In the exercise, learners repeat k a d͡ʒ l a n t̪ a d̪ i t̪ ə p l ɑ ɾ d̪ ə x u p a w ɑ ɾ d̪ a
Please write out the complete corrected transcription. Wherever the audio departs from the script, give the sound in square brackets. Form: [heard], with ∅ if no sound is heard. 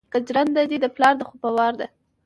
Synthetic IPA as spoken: k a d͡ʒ [ɾ] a n [d̪] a d̪ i [d̪] ə p l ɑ ɾ d̪ ə x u p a w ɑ ɾ d̪ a